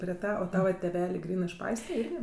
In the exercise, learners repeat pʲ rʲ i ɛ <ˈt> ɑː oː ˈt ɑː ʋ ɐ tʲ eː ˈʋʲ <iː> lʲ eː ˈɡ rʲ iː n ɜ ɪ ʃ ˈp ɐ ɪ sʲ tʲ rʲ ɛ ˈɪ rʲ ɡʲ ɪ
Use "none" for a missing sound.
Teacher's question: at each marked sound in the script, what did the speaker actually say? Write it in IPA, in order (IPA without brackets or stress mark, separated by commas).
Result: t, æː